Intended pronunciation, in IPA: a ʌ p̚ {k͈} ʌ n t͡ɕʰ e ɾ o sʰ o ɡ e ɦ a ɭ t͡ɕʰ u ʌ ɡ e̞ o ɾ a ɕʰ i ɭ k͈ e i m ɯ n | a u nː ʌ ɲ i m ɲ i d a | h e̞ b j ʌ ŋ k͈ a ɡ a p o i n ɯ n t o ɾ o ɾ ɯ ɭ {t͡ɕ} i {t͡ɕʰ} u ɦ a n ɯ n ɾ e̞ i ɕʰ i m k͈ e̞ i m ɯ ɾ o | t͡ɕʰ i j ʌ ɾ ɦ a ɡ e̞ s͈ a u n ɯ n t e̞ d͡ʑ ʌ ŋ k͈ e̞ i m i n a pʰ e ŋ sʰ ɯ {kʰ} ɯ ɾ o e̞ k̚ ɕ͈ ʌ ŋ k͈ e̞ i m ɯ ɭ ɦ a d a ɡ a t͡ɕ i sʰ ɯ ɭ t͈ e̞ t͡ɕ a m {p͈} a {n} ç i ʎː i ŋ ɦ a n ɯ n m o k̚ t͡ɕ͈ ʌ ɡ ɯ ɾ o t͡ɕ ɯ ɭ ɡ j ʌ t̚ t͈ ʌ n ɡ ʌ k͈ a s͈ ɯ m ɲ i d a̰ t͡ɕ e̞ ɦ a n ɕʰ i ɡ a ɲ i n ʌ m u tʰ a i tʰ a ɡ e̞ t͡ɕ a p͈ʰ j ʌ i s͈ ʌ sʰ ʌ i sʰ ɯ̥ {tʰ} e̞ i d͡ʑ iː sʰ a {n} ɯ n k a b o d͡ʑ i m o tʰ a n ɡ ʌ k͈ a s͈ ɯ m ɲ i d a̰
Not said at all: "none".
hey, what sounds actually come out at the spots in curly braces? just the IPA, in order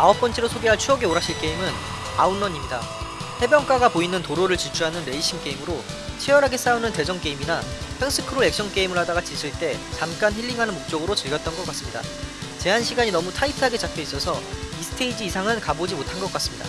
p͈, t͡ɕ, t͡ɕʰ, kʰ, k͈, n, tʰ, ŋ

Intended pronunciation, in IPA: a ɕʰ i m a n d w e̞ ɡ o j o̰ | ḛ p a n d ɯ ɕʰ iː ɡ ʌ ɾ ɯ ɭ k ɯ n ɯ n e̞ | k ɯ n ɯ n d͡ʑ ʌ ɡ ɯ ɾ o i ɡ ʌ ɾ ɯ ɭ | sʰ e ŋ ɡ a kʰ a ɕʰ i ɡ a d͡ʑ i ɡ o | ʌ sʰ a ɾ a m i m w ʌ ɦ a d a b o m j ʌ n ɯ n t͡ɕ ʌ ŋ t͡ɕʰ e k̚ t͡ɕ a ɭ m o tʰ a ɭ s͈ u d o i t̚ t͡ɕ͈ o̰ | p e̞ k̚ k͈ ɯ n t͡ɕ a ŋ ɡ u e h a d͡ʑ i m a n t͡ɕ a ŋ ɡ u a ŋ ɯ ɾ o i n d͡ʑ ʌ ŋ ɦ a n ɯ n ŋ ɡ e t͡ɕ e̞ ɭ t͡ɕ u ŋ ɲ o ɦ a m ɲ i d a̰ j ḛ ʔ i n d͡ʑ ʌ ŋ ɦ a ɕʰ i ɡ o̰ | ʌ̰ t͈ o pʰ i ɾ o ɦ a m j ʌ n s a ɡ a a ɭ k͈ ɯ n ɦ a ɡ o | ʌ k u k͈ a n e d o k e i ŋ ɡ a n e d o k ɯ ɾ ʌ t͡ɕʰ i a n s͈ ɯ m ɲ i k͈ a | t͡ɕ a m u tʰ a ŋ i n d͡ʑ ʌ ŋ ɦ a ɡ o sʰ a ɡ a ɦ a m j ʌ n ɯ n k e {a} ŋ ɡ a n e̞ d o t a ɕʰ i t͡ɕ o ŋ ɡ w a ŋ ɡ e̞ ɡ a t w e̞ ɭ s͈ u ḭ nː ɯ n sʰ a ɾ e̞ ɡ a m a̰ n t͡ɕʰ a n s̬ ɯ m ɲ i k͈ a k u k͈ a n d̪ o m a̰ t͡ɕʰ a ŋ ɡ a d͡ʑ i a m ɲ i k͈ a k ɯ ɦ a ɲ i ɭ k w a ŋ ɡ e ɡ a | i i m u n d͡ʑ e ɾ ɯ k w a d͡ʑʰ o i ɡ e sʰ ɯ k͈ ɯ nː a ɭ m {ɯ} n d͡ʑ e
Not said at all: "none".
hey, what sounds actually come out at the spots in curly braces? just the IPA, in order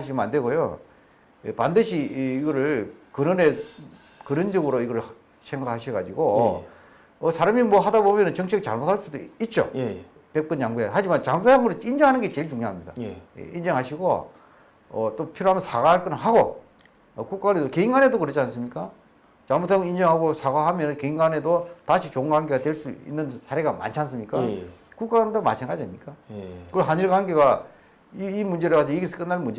i, u

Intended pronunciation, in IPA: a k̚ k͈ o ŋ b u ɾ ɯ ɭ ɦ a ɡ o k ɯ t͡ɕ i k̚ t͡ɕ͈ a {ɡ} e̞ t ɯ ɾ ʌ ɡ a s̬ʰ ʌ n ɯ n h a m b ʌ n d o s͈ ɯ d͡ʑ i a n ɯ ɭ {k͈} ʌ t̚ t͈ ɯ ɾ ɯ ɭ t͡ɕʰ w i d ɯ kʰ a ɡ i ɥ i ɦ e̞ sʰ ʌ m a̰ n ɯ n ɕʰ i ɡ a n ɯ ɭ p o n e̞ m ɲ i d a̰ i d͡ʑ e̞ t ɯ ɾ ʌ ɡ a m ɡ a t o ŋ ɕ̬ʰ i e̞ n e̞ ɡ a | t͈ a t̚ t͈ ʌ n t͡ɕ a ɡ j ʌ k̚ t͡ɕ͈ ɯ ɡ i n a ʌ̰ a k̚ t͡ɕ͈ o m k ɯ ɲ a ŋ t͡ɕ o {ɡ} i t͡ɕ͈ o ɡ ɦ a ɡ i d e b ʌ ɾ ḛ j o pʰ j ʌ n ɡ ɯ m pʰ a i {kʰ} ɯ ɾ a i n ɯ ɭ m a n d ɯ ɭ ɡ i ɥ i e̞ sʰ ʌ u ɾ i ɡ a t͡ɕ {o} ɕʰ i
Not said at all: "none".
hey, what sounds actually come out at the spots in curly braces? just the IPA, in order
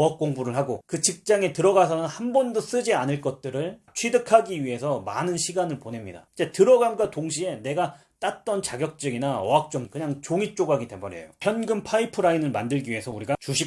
ŋ, k͈, ŋ, pʰ, u

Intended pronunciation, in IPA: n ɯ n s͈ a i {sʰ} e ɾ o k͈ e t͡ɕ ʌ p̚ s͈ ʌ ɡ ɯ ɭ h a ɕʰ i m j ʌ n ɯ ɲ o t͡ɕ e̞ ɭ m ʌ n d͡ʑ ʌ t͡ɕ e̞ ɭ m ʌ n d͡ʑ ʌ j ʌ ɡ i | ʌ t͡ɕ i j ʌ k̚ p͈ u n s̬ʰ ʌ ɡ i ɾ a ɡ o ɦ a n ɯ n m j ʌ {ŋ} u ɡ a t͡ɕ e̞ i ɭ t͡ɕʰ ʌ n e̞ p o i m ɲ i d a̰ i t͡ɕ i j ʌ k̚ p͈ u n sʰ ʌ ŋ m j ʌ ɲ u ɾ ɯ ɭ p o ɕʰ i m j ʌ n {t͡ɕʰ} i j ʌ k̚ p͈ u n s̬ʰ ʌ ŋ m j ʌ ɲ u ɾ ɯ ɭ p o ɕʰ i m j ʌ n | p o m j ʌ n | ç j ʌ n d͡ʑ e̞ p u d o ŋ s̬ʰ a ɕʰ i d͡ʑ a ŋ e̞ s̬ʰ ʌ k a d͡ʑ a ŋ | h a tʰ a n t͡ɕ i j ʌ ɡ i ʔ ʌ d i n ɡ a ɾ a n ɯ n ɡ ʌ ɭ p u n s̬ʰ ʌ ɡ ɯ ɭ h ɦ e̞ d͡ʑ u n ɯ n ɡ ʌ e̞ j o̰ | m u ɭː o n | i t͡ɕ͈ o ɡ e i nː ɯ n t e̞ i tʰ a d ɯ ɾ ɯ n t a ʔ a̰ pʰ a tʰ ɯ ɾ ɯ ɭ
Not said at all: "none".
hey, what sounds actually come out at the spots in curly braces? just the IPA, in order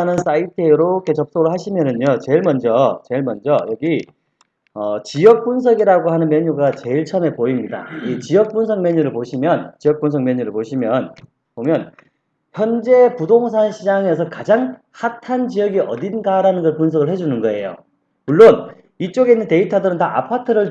tʰ, ɲ, t͡ɕ

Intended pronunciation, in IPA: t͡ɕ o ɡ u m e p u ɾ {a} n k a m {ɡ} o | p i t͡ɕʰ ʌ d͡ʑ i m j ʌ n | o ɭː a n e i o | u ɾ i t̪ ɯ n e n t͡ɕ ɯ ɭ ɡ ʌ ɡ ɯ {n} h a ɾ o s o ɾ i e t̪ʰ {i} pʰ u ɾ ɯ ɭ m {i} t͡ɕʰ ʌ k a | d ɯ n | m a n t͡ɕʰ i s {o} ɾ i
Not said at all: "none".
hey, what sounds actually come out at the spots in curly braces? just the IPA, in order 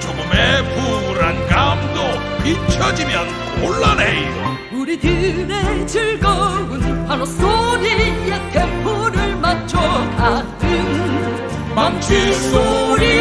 a, d, n, e, a, o

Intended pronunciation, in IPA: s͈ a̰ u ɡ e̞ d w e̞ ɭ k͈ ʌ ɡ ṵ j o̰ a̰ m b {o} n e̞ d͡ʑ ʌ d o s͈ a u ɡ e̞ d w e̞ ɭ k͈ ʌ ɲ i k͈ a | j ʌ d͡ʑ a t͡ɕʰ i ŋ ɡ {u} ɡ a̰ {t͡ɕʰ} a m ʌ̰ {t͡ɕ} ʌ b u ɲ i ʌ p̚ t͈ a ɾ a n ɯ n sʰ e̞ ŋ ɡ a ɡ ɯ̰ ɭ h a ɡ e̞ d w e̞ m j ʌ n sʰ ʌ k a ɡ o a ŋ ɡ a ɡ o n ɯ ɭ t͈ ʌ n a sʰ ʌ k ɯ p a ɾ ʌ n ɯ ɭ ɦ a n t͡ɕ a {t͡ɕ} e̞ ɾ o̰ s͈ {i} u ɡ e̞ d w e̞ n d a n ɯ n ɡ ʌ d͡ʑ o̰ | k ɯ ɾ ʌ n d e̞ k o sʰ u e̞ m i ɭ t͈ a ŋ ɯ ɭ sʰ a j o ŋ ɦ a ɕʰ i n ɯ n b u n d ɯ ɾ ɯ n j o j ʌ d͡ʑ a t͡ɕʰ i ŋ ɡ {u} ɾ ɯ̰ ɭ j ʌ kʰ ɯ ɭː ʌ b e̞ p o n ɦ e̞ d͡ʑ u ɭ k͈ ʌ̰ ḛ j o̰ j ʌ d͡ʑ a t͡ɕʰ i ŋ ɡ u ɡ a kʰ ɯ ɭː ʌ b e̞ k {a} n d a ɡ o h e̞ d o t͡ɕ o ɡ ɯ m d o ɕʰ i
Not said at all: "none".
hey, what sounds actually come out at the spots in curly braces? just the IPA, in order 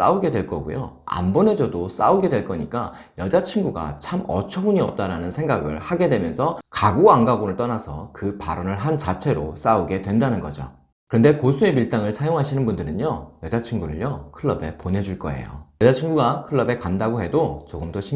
o, u, t͡ɕʰ, t͡ɕʰ, t͡ɕʰ, a, u, a

